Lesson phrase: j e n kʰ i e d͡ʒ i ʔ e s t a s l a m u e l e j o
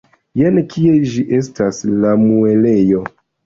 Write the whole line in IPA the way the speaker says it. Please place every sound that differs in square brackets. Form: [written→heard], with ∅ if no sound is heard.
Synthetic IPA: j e n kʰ i e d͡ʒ i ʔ e s t a s l a m u e l e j o